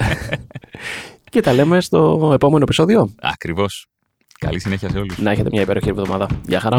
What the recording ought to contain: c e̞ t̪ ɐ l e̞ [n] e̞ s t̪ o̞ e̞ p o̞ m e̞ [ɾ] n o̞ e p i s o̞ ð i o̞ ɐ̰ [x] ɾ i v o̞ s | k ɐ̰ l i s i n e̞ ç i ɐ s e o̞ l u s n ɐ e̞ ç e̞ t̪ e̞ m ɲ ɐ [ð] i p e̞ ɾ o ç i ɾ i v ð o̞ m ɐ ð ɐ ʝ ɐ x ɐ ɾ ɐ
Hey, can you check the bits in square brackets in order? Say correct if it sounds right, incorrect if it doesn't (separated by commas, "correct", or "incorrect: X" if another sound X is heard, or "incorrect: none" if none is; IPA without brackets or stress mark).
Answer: incorrect: m, incorrect: none, incorrect: k, incorrect: none